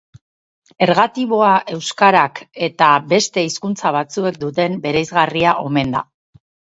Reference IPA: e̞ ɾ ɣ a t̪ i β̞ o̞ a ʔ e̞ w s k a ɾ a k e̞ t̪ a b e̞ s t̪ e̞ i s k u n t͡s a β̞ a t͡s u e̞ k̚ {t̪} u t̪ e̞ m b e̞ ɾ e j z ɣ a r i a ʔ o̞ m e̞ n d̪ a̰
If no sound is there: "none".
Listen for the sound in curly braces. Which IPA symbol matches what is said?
d̪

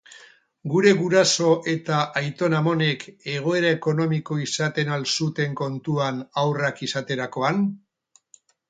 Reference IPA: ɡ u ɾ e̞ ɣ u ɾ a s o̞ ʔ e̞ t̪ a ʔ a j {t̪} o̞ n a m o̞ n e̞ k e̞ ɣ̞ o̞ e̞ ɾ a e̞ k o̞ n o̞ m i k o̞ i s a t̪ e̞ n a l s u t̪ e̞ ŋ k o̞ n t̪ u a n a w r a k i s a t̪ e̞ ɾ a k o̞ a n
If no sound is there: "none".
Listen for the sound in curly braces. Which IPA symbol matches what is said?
t̪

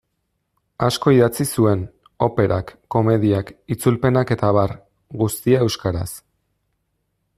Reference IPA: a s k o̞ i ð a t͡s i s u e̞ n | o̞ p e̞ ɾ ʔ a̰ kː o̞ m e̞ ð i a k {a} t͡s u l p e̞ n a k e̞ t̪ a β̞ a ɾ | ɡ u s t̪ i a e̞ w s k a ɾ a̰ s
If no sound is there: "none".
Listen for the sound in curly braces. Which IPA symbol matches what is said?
i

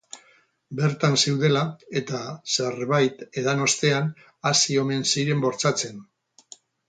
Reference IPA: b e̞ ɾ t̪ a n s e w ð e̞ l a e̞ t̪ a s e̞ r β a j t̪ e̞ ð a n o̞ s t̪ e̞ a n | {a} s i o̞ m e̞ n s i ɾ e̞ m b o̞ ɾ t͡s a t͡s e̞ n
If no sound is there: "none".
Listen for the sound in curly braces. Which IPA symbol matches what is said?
a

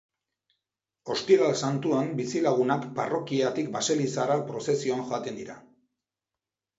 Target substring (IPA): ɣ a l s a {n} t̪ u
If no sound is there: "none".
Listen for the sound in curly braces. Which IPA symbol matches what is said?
n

